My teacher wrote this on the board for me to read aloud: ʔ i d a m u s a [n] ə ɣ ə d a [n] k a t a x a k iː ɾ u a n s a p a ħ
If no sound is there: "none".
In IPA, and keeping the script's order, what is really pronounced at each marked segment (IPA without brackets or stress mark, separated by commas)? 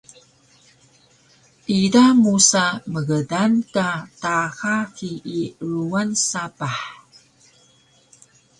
m, n